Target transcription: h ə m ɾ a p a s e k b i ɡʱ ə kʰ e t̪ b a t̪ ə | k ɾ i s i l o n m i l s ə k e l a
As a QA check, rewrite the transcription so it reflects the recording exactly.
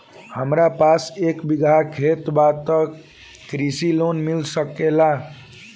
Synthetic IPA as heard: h ə m ɾ a p a s e k b i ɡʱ a kʰ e t̪ b a t̪ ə | k ɾ i s i l o n m i l s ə k e l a